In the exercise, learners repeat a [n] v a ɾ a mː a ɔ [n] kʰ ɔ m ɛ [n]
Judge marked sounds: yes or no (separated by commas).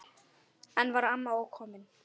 yes, no, yes